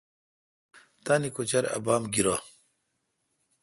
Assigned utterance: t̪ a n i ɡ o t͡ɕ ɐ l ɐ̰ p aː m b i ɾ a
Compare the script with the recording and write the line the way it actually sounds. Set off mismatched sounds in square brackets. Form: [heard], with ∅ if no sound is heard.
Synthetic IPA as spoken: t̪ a n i [k] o t͡ɕ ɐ [ɾ] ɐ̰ [b] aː m [ɡ] i ɾ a